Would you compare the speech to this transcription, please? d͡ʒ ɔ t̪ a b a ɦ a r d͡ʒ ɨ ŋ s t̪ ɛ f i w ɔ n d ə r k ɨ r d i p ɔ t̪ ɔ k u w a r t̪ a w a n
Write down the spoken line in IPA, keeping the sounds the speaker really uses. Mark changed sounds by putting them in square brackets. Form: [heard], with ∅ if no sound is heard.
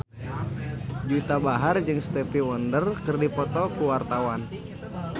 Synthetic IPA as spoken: d͡ʒ [u] t̪ a b a ɦ a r d͡ʒ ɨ ŋ s t̪ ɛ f i w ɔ n d ə r k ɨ r d i p ɔ t̪ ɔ k u w a r t̪ a w a n